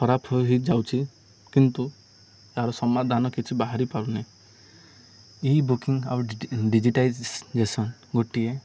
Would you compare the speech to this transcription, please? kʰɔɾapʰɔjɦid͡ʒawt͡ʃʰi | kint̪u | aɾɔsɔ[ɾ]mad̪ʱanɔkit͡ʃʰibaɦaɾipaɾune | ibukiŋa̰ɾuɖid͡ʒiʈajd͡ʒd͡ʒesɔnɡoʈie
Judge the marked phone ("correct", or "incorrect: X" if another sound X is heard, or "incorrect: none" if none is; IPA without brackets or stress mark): incorrect: none